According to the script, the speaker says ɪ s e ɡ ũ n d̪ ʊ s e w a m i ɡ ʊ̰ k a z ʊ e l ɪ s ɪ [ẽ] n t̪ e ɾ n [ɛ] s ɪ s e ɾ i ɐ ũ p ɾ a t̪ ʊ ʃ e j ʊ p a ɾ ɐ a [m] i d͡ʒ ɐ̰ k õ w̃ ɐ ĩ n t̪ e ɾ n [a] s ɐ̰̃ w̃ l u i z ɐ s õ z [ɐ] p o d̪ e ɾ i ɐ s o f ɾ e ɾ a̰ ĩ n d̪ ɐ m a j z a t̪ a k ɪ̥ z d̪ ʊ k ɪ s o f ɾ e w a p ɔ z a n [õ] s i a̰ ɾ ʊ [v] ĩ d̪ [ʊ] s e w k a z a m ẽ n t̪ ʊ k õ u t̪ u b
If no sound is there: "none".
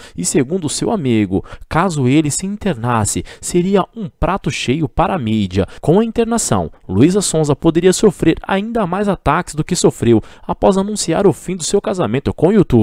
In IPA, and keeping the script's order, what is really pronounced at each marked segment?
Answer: ĩ, a, m, a, ɐ, ũ, f, ʊ

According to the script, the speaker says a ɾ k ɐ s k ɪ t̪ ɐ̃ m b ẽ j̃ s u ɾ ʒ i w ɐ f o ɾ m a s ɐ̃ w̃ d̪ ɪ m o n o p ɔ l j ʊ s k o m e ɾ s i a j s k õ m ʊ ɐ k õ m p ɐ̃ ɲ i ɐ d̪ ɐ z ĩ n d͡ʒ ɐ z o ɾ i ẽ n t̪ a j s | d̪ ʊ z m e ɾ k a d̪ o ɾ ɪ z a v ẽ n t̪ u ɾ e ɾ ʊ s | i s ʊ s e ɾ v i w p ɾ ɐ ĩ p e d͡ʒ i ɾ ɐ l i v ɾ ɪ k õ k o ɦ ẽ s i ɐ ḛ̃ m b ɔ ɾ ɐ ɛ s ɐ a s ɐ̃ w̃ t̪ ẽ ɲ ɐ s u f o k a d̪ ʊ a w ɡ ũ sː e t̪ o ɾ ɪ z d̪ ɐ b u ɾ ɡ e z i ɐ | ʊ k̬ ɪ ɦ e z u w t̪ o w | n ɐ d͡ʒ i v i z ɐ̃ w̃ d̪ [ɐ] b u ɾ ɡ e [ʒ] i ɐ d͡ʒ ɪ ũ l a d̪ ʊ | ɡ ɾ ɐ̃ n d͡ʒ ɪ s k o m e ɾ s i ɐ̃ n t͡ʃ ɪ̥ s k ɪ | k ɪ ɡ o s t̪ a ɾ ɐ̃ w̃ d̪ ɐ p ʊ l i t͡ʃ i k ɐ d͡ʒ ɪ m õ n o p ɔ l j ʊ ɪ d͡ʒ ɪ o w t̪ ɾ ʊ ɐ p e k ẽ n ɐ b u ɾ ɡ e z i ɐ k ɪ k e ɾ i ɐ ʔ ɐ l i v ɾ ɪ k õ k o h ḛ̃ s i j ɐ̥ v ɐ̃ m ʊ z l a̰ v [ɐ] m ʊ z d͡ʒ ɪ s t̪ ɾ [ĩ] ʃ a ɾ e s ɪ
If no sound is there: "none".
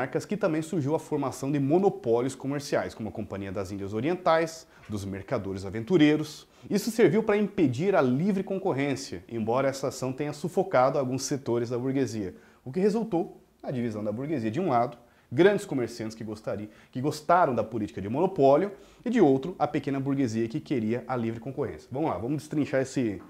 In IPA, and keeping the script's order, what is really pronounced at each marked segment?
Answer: ɐ, z, ɐ̃, ĩ

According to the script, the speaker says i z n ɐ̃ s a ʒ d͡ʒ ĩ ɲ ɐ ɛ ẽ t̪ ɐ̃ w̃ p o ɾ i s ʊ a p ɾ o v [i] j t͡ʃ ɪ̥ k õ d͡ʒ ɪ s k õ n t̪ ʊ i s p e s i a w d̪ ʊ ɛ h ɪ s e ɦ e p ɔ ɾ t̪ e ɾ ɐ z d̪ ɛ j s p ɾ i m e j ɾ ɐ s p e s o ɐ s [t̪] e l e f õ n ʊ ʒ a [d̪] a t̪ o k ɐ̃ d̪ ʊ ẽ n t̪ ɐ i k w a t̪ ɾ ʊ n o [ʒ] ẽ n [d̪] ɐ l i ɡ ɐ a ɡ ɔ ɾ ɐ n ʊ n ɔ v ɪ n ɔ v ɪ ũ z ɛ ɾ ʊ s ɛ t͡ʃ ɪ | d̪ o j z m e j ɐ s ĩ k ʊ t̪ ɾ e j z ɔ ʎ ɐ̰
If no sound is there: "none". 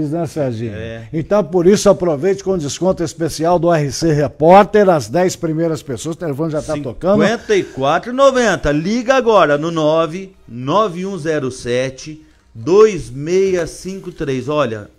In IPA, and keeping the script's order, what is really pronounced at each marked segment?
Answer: e, t̪, t̪, v, t̪

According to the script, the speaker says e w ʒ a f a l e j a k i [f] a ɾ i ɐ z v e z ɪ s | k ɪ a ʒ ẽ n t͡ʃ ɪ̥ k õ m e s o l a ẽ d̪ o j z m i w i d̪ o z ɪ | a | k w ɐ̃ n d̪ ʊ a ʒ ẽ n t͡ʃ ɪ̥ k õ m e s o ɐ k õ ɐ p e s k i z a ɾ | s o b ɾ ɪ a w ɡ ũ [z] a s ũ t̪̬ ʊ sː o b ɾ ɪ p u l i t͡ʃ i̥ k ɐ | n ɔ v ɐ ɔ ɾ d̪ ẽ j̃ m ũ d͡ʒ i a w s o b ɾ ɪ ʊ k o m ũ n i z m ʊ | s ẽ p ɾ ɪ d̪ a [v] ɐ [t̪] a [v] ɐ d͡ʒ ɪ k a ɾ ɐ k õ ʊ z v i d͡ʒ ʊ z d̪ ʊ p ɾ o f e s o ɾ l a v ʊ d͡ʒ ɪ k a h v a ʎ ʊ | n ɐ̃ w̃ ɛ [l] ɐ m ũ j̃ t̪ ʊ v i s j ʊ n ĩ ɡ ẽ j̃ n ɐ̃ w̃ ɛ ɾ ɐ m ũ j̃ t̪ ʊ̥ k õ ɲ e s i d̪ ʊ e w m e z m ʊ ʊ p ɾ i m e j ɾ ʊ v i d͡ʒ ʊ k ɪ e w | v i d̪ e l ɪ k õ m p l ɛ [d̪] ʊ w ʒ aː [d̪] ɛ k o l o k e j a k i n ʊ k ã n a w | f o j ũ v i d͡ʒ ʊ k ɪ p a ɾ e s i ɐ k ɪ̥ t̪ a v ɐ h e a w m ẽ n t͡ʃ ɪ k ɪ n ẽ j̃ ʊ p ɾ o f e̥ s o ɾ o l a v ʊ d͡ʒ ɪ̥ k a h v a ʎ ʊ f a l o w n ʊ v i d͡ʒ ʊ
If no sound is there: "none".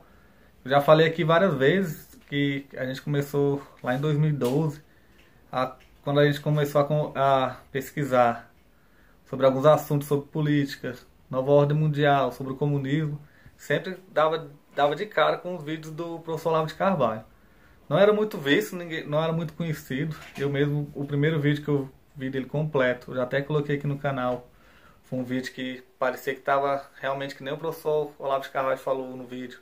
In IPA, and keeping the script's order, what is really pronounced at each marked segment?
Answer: v, z, v, d̪, v, ɾ, t̪, t̪

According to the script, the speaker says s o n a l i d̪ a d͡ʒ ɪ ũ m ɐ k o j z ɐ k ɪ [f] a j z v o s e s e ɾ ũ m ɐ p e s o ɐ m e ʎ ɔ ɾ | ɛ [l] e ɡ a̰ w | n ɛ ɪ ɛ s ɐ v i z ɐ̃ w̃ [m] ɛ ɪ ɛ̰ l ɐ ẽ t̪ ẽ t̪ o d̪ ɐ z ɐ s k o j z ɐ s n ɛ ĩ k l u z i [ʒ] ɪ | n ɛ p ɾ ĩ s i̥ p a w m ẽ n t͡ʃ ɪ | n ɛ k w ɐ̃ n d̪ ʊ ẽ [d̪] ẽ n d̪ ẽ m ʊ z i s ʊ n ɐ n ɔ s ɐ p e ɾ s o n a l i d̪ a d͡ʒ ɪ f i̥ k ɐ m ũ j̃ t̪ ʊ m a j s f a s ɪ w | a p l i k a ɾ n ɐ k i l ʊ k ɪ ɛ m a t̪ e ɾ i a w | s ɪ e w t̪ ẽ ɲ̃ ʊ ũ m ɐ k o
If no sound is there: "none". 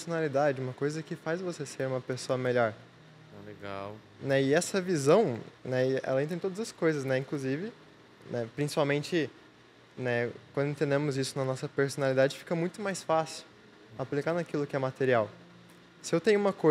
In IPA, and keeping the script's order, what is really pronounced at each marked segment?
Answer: f, l, n, v, t̪

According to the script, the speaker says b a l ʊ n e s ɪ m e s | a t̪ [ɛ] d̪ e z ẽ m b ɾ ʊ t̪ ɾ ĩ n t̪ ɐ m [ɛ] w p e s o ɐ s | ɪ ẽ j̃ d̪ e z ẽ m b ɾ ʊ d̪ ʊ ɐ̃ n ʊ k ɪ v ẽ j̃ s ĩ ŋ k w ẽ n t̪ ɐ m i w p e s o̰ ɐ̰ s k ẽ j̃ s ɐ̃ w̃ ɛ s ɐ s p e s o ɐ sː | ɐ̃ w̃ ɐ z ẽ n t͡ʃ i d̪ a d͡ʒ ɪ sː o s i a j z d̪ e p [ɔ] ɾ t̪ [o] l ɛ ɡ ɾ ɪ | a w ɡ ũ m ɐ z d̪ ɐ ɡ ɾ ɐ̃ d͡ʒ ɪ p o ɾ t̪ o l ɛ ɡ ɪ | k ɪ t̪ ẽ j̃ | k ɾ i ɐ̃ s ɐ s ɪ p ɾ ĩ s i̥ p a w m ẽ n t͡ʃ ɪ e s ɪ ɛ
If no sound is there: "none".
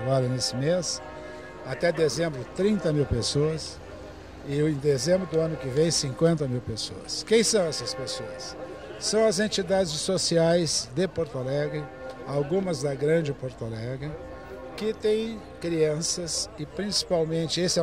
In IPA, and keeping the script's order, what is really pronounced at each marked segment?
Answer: ɛ, i, o, o

